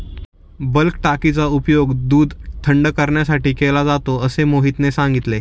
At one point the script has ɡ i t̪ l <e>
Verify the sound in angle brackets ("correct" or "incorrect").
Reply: correct